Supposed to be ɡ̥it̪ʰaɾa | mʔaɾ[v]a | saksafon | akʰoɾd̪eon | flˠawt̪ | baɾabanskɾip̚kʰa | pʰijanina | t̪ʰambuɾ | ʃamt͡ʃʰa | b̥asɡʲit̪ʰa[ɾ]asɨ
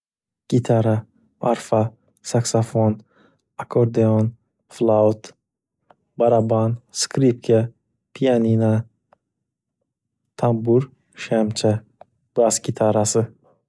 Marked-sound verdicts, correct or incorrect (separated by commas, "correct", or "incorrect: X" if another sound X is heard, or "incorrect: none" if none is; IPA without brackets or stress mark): incorrect: f, correct